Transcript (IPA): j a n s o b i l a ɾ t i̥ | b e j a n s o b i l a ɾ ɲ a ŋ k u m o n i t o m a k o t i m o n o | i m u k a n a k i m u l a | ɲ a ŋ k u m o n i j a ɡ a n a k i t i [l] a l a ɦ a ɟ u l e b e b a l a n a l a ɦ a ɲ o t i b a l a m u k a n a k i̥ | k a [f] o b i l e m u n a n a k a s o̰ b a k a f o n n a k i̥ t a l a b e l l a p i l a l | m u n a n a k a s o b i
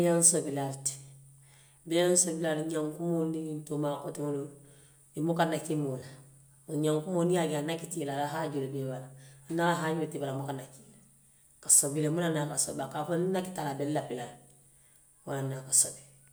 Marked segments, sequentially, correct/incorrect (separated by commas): correct, incorrect